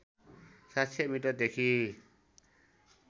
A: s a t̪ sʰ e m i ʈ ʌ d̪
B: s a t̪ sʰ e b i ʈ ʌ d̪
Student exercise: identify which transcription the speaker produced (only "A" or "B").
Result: A